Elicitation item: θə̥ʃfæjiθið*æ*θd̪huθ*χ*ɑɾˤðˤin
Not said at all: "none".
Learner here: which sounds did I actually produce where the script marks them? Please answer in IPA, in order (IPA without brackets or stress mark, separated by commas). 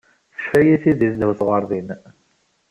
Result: i, ʁ